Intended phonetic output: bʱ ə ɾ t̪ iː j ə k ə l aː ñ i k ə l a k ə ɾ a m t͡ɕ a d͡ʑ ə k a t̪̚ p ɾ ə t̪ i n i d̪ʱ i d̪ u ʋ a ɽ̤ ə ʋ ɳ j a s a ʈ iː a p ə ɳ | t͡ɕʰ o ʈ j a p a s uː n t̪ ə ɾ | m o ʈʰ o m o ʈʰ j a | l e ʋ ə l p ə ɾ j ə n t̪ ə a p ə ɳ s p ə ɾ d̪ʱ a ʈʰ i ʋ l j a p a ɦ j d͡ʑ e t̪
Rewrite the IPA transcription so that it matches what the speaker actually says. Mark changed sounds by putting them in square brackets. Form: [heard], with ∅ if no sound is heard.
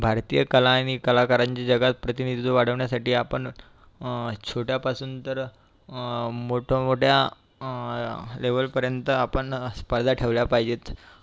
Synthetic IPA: bʱ [a] ɾ t̪ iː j ə k ə l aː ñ i k ə l a k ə ɾ a [ɲ] t͡ɕ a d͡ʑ ə [ɡ] a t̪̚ p ɾ ə t̪ i n i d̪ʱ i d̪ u ʋ a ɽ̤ ə ʋ ɳ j a s a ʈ iː a p ə ɳ | t͡ɕʰ o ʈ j a p a s uː n t̪ ə ɾ | m o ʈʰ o m o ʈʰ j a | l e ʋ ə l p ə ɾ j ə n t̪ ə a p ə ɳ s p ə ɾ d̪ʱ a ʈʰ [e] ʋ l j a p a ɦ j d͡ʑ e t̪